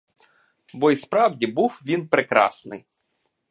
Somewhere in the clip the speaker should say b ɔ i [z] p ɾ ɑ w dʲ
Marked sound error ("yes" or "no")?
yes